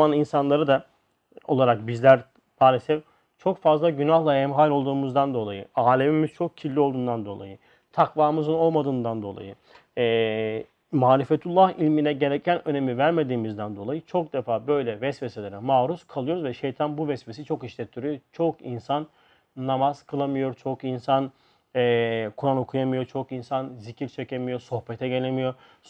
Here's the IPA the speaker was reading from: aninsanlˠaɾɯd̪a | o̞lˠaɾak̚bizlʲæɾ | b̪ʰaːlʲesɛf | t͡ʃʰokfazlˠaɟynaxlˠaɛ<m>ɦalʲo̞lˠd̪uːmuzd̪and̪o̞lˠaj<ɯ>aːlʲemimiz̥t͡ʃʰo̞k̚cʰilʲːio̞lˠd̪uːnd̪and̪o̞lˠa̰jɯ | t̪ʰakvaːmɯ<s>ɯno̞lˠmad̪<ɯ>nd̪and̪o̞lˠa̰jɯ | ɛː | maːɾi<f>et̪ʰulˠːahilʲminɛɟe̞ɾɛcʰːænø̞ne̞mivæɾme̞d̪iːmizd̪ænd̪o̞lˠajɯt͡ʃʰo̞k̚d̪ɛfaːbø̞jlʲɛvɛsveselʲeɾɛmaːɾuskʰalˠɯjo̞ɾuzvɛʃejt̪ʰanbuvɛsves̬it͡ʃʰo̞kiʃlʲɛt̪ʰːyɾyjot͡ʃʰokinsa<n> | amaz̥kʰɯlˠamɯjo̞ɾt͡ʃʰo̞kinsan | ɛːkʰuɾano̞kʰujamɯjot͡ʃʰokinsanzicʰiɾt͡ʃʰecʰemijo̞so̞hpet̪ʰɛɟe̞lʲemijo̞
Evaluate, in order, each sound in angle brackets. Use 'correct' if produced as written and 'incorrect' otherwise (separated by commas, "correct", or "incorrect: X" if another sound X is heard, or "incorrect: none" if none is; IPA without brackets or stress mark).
correct, correct, incorrect: z, incorrect: ɯː, correct, incorrect: nː